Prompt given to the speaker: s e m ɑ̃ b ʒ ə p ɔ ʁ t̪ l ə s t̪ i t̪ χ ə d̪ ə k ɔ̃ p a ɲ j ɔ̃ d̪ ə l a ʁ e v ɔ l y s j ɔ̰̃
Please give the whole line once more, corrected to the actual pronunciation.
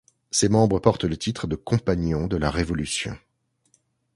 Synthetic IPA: s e m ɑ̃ b ʁ ə p ɔ ʁ t̪ l ə t̪ i t̪ χ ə d̪ ə k ɔ̃ p a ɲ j ɔ̃ d̪ ə l a ʁ e v ɔ l y s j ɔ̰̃